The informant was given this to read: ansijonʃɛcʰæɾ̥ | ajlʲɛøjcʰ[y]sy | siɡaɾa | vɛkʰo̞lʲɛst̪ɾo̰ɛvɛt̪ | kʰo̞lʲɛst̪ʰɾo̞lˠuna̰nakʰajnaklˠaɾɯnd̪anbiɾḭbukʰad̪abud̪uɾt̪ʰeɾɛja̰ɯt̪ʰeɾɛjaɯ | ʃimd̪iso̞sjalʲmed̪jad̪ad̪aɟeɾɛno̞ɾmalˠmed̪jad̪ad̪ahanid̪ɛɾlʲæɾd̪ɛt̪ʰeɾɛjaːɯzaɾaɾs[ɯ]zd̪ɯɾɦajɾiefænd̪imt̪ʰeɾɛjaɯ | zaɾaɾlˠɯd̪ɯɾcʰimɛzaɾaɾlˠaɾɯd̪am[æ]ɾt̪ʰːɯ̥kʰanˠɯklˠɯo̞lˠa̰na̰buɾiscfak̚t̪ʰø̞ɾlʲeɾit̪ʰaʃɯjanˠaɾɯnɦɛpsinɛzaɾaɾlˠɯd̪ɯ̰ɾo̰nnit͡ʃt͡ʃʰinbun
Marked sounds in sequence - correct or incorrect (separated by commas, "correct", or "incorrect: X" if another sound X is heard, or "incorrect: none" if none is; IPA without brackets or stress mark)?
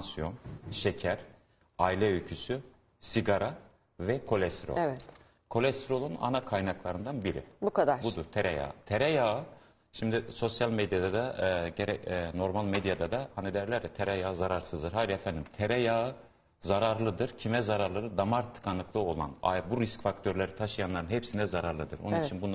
correct, correct, incorrect: a